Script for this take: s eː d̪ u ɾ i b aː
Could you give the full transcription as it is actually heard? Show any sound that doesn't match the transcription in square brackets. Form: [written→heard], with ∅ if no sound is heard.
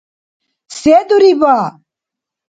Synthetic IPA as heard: s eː d̪ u ɾ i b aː

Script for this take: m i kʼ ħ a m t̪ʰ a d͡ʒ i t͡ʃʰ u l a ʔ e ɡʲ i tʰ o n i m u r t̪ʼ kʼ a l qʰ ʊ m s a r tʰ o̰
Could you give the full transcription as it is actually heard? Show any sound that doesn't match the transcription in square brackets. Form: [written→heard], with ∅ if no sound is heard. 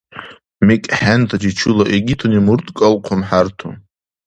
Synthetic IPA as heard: m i kʼ ħ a [m→n] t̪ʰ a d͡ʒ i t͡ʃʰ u l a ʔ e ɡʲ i tʰ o n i m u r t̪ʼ kʼ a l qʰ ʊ m [s→ħ] a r tʰ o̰

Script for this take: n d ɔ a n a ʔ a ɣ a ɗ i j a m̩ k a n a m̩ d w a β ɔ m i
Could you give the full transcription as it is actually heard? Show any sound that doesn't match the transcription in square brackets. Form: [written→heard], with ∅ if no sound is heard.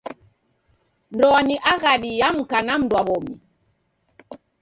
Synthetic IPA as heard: n d ɔ a n [a→i] ʔ a ɣ a ɗ i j a m̩ k a n a m̩ d w a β ɔ m i

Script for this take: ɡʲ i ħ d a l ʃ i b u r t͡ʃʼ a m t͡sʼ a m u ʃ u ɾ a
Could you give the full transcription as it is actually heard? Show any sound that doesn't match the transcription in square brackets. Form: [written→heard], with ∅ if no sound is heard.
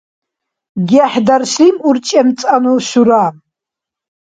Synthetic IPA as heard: ɡʲ [i→a] ħ d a [l→r] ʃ i [b→m] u r t͡ʃʼ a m t͡sʼ a [m→n] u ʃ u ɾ a

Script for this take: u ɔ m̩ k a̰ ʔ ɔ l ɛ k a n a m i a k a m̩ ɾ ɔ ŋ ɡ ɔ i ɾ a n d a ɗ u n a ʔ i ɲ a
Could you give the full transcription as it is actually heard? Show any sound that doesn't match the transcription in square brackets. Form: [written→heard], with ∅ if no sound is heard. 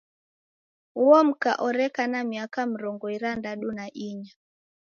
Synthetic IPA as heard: u ɔ m̩ k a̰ ʔ ɔ [l→ɾ] ɛ k a n a m i a k a m̩ ɾ ɔ ŋ ɡ ɔ i ɾ a n d a ɗ u n a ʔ i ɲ a

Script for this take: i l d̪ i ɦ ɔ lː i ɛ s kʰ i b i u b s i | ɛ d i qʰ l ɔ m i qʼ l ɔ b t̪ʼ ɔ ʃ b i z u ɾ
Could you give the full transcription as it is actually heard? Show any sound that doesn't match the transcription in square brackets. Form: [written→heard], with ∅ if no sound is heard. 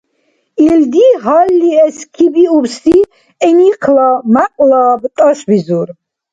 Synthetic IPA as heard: i l d̪ i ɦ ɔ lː i ɛ s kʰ i b i u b s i | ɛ [d→n] i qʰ l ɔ m [i→a] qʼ l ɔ b t̪ʼ ɔ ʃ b i z u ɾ

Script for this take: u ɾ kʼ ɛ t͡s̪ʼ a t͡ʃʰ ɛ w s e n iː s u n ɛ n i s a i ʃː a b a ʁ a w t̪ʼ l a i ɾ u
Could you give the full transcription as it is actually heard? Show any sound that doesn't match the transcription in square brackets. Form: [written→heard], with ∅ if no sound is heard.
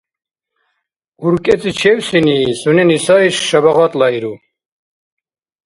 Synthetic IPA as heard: u ɾ kʼ ɛ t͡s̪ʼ [a→i] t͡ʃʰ ɛ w s [e→i] n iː s u n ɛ n i s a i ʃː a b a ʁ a [w→∅] t̪ʼ l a i ɾ u

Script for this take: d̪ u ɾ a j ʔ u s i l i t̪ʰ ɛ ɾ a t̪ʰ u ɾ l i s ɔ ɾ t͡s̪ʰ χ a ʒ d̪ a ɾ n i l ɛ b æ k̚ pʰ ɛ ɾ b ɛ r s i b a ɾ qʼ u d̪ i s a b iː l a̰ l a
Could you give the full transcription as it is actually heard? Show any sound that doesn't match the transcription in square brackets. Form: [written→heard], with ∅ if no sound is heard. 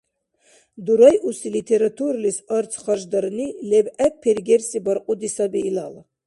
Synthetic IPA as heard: d̪ u ɾ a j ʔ u s i l i t̪ʰ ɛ ɾ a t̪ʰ u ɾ l i s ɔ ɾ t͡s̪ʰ χ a ʒ d̪ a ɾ n i l ɛ b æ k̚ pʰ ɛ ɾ [b→ɡ] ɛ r s i b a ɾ qʼ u d̪ i s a b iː l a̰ l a

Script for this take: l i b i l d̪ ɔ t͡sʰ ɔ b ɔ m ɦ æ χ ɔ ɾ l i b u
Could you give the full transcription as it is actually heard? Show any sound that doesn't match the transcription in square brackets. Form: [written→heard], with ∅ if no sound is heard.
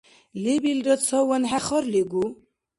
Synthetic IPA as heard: l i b i l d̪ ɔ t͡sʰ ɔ [b→w] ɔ [m→n] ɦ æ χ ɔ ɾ l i [b→ɡ] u

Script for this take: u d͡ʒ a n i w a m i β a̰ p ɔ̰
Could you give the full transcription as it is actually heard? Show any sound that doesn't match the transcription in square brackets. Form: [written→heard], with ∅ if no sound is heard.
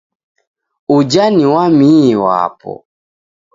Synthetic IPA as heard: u d͡ʒ a n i w a m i [β→w] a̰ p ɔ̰

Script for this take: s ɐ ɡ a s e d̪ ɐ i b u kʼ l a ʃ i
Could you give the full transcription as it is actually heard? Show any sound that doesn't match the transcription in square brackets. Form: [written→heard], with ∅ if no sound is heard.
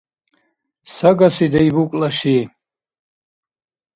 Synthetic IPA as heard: s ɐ ɡ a s [e→i] d̪ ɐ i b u kʼ l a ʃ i

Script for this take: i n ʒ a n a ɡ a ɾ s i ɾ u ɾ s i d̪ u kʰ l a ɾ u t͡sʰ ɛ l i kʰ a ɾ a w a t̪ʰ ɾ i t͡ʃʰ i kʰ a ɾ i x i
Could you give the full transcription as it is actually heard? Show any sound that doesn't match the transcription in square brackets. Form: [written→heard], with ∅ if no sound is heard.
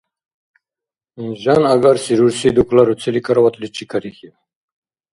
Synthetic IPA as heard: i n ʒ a n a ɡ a ɾ s i ɾ u ɾ s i d̪ u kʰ l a ɾ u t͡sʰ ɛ l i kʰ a ɾ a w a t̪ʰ [ɾ→l] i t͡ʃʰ i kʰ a ɾ i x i

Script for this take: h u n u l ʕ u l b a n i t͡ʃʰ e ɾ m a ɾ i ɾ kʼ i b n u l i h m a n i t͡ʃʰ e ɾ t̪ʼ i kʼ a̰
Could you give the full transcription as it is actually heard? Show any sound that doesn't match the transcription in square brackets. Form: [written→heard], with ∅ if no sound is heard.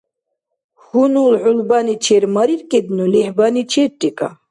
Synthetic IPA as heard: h u n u l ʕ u l b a n i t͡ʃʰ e ɾ m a ɾ i ɾ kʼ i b n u l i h [m→b] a n i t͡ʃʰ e ɾ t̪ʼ i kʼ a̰

